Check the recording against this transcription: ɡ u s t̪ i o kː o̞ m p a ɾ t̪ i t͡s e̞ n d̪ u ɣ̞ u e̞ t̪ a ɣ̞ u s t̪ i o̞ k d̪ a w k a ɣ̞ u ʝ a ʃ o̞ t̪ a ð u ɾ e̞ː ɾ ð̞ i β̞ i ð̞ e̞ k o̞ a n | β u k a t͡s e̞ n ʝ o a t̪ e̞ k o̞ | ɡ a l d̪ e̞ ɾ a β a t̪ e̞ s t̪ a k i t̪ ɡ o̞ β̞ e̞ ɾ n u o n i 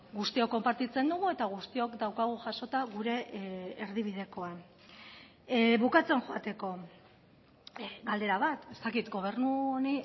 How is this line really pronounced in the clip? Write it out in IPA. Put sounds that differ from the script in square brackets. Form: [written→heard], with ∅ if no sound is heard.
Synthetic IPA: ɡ u s t̪ i o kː o̞ m p a ɾ t̪ i t͡s e̞ n d̪ u ɣ̞ u e̞ t̪ a ɣ̞ u s t̪ i o̞ k d̪ a w k a ɣ̞ u ʝ a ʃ o̞ t̪ a [ð→ɣ] u ɾ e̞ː ɾ ð̞ i β̞ i ð̞ e̞ k o̞ a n | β u k a t͡s e̞ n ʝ o a t̪ e̞ k o̞ | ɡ a l d̪ e̞ ɾ a β a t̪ e̞ s t̪ a k i t̪ ɡ o̞ β̞ e̞ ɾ n u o n i